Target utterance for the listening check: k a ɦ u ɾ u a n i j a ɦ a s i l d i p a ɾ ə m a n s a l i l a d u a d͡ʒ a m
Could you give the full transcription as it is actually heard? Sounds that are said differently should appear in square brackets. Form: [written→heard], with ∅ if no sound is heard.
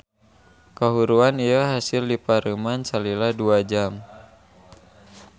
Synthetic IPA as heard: k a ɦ u ɾ u a n i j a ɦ a s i l d i p a ɾ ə m a n s a l i l a d u a d͡ʒ a m